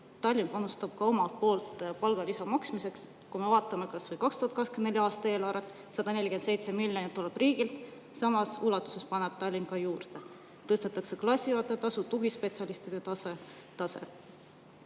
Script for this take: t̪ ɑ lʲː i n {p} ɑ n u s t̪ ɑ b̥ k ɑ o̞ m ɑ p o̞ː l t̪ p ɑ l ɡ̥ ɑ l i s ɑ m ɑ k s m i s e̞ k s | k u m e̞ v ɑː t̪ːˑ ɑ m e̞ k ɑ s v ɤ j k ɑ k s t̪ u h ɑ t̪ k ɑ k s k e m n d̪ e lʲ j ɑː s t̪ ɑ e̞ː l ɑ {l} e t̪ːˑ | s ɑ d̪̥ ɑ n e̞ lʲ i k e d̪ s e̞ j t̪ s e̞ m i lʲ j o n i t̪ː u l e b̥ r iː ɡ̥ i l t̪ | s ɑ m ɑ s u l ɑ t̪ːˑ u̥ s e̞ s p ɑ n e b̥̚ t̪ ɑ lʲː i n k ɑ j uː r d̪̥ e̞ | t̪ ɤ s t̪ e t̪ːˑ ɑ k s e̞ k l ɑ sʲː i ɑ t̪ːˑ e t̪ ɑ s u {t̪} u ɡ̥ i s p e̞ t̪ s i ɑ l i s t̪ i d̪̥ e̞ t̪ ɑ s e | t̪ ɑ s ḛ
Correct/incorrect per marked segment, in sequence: correct, incorrect: ɾ, correct

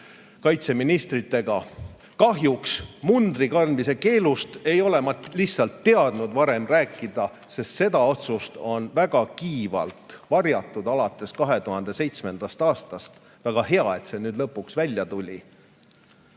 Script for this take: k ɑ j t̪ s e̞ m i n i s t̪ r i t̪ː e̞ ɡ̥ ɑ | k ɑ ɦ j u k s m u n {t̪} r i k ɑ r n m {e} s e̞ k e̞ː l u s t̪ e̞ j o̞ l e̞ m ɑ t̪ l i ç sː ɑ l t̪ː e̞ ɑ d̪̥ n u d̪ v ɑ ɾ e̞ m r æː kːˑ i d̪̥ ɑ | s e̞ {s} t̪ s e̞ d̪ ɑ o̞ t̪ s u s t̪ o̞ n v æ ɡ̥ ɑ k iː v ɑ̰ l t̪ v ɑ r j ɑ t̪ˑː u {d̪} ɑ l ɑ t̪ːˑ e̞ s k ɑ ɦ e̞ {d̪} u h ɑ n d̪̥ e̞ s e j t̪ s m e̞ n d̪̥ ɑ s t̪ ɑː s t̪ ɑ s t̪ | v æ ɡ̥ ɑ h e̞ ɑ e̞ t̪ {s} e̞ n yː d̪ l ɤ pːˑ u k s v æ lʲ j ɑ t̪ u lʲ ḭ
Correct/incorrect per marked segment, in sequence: incorrect: d̪, incorrect: i, correct, correct, incorrect: t̪, correct

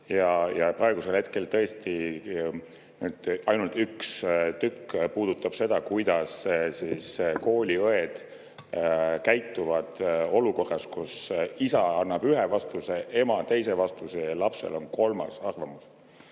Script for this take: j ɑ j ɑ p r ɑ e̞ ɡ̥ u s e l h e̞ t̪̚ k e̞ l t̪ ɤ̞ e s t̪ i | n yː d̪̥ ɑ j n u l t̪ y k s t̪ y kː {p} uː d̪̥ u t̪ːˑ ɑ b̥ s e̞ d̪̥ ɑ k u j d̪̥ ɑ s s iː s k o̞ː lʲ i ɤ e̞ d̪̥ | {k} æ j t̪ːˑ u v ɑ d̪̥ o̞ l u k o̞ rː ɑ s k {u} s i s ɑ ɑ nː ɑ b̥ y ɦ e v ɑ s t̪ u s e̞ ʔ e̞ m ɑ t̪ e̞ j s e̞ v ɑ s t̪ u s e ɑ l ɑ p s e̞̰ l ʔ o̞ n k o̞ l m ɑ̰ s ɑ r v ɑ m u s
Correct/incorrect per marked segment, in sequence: correct, correct, correct

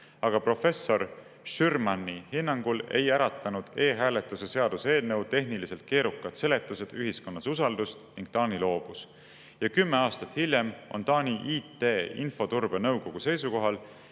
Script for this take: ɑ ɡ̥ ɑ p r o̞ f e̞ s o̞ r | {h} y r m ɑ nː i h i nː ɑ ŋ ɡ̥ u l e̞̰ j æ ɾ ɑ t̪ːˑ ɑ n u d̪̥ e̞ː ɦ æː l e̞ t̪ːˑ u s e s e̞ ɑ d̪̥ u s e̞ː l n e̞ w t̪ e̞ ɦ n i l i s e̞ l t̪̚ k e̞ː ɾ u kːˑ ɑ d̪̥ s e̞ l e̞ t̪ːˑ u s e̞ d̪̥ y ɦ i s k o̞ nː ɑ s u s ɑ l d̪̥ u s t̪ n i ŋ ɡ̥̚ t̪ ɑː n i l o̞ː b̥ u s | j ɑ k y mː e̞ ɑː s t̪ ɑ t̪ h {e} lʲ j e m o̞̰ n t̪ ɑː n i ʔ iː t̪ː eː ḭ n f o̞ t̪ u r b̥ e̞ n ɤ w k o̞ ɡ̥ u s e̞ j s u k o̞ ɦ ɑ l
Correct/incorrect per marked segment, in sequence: incorrect: ʃ, incorrect: i

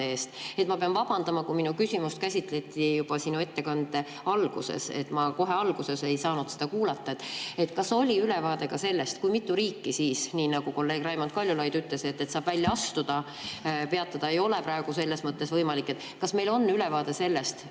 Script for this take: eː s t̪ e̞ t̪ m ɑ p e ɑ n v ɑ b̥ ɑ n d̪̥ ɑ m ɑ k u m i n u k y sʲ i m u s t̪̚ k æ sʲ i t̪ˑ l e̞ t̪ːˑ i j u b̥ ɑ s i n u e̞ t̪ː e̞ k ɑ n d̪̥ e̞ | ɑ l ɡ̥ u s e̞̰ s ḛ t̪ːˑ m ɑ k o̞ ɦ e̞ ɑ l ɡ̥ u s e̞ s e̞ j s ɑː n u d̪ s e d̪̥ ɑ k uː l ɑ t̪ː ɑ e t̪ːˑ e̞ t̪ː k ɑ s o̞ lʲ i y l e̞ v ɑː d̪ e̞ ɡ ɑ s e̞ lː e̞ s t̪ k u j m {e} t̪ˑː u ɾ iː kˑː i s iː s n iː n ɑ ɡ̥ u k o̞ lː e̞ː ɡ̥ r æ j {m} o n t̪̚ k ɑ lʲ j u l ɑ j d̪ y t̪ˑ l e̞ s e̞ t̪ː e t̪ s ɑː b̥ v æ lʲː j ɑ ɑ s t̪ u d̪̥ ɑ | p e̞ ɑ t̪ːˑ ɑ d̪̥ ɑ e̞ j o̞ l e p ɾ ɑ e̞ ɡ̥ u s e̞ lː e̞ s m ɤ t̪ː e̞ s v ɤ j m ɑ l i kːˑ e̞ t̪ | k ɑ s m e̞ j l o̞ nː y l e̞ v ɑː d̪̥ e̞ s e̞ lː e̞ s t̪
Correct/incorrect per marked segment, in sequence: incorrect: i, correct

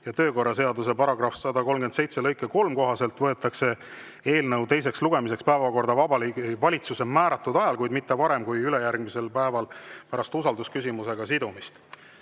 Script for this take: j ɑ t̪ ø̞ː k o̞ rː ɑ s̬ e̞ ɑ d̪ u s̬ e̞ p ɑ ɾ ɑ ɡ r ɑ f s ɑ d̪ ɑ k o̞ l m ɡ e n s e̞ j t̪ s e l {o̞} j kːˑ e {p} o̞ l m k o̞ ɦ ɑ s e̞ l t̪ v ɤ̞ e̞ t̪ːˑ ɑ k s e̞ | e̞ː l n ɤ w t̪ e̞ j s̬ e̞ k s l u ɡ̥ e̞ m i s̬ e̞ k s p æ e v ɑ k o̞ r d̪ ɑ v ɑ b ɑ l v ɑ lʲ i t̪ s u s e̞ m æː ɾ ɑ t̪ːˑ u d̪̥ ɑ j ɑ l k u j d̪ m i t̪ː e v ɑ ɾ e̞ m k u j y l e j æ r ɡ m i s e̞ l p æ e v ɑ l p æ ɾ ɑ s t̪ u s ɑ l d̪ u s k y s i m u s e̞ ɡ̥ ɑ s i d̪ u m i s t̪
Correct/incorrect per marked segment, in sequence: incorrect: ɤ̞, incorrect: k

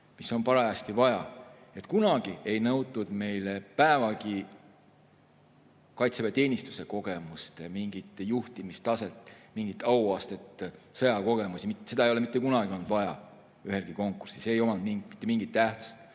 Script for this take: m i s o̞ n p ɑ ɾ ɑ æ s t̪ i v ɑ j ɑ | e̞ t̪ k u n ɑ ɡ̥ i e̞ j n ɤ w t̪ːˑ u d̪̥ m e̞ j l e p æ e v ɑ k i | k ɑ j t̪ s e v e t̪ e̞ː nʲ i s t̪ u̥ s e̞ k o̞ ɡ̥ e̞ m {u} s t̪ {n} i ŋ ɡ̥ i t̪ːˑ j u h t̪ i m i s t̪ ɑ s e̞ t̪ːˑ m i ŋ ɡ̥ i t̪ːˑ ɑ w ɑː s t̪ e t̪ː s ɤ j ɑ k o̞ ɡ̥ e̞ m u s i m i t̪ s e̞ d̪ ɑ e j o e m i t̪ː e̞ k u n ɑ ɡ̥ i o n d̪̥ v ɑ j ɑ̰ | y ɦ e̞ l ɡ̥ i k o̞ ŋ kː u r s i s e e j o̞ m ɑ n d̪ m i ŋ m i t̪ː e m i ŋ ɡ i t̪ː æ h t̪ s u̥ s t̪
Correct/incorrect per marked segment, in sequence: correct, incorrect: m

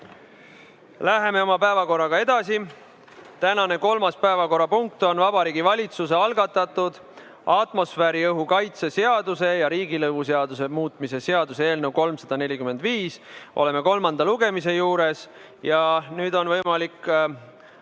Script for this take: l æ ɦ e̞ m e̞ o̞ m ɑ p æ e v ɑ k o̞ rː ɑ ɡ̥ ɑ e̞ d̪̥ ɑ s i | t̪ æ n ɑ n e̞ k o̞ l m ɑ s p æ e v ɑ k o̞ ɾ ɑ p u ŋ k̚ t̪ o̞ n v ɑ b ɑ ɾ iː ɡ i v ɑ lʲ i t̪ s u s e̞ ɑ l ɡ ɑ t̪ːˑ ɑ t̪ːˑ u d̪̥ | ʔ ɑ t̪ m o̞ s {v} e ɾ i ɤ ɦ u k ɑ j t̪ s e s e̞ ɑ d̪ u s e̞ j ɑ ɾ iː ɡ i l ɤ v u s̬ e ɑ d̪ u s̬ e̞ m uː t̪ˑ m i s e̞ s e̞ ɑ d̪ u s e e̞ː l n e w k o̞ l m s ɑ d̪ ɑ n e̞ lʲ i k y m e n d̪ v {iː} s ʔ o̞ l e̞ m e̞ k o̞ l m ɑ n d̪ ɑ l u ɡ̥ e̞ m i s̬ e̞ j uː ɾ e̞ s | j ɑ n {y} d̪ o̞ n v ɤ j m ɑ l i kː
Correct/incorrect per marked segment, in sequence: incorrect: f, correct, incorrect: yː

